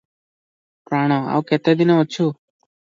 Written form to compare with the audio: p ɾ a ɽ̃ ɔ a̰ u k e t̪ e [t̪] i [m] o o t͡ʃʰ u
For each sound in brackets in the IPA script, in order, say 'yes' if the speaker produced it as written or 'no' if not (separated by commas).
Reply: no, no